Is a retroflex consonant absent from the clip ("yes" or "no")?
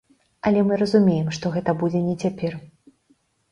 no